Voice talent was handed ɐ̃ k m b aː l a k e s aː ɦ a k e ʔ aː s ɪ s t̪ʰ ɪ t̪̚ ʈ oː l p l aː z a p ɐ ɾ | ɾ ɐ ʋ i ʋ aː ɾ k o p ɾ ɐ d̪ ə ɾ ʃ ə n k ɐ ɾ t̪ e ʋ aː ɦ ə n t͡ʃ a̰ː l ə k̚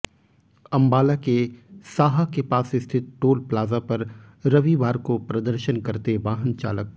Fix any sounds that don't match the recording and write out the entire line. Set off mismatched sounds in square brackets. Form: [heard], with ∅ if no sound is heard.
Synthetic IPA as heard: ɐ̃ [∅] m b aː l a k e s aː ɦ a k e [p] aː s ɪ s t̪ʰ ɪ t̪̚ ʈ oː l p l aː z a p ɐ ɾ | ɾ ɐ ʋ i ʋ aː ɾ k o p ɾ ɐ d̪ ə ɾ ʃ ə n k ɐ ɾ t̪ e ʋ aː ɦ ə n t͡ʃ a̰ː l ə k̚